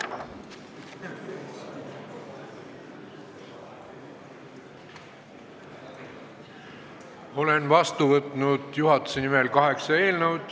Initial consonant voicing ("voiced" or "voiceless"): voiced